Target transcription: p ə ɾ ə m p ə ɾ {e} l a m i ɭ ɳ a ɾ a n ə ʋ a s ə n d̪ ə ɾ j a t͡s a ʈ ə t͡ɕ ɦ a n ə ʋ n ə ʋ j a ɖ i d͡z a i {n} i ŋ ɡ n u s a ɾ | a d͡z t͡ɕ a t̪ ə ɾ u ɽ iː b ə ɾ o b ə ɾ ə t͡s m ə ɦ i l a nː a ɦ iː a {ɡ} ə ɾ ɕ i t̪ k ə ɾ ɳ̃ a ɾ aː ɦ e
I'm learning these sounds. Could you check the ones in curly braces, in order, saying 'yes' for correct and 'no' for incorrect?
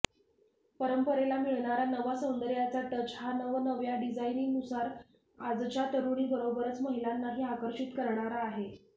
yes, yes, no

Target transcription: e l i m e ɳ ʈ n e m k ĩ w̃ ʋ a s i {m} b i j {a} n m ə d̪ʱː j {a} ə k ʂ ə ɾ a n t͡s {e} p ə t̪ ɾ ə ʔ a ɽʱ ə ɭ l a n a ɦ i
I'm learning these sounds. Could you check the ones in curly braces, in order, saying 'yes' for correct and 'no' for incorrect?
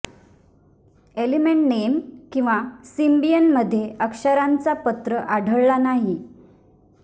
yes, no, no, no

